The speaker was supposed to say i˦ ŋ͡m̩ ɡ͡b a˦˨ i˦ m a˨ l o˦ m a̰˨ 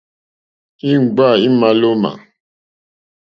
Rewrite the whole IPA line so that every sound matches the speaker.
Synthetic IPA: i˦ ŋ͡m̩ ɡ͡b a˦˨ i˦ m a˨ l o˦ m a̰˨